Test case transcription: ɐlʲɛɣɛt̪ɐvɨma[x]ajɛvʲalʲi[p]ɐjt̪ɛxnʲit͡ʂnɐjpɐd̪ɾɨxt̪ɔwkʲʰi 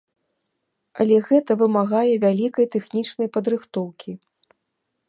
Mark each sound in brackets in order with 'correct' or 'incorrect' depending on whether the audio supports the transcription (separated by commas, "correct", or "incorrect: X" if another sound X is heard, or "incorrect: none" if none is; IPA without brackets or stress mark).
incorrect: ɣ, incorrect: k